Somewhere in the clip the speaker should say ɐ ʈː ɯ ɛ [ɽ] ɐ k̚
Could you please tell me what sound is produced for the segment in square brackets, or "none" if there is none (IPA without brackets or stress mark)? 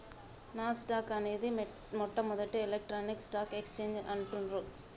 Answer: l